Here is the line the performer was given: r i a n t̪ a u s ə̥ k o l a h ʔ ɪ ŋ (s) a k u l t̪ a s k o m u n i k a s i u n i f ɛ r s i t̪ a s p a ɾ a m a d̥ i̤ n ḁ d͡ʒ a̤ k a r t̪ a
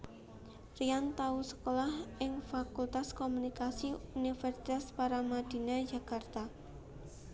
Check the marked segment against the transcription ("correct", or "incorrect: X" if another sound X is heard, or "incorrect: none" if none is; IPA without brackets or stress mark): incorrect: f